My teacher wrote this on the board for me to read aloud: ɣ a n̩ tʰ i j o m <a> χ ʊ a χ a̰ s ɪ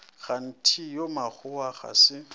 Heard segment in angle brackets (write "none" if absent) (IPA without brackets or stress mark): a